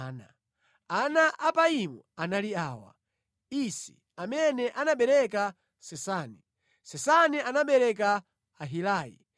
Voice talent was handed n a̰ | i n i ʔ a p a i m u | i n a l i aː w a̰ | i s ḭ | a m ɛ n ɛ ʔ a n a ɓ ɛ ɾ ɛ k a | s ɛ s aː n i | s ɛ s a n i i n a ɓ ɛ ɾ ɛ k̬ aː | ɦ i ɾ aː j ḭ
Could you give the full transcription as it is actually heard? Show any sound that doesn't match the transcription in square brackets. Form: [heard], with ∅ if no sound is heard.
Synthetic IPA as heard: n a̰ | [a] n [a] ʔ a p a i m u | [a] n a l i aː w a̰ | i s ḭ | a m ɛ n ɛ ʔ a n a ɓ ɛ ɾ ɛ k a | s ɛ s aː n i | s ɛ s a n i [a] n a ɓ ɛ ɾ ɛ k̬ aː | ɦ i [l] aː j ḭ